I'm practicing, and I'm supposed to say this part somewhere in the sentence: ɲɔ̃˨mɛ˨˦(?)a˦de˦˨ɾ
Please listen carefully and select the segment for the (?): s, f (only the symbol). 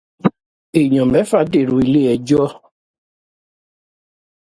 f